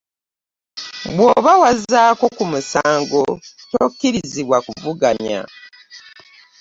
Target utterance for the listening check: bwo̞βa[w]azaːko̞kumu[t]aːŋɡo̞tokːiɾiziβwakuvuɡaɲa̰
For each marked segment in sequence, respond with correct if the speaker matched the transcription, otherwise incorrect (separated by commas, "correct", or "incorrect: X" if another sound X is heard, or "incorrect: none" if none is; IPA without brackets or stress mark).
correct, incorrect: s